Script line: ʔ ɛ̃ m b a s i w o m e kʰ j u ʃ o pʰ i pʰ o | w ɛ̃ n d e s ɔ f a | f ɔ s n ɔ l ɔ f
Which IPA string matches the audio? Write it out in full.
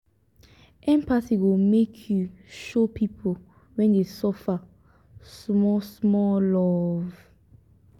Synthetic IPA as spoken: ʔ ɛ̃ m p a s i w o m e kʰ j u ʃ o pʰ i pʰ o | w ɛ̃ n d e s ɔ f a | s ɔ s m ɔ l ɔ v